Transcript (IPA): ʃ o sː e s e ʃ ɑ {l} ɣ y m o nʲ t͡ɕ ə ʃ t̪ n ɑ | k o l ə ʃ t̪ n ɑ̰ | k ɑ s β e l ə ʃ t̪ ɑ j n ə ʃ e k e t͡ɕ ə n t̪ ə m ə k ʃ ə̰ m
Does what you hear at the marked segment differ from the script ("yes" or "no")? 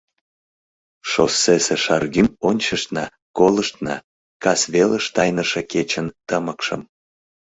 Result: yes